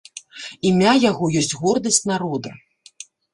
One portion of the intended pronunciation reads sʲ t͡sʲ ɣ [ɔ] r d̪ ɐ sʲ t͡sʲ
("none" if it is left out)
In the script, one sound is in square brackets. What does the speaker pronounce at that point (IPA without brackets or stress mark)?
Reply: ɔ